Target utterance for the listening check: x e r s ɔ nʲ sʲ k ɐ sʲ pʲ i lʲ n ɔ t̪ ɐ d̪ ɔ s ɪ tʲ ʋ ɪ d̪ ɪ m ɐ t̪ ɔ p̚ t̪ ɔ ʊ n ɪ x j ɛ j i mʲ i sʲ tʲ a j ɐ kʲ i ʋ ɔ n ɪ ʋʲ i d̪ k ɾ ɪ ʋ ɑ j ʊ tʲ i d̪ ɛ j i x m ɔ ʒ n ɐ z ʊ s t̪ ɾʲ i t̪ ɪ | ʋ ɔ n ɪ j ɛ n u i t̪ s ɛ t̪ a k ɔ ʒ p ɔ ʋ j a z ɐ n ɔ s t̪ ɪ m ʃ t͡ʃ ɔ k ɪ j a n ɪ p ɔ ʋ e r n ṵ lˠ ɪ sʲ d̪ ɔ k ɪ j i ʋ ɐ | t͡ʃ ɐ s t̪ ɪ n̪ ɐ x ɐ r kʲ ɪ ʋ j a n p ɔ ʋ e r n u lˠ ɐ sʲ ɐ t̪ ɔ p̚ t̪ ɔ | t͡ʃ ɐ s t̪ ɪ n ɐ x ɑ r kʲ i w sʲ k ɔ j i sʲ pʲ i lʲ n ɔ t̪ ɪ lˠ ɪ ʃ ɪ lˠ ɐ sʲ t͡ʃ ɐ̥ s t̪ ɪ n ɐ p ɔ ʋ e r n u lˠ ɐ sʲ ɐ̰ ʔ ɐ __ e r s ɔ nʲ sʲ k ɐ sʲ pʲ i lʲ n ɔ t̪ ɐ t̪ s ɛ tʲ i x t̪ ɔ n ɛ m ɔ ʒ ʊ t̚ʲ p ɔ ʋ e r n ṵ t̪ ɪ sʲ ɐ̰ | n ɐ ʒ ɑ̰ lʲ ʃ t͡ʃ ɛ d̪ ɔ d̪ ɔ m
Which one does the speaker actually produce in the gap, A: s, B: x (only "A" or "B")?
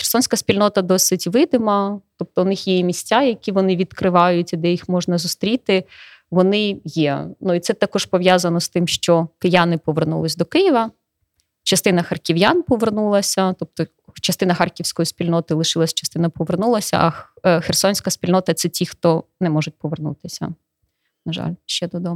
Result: B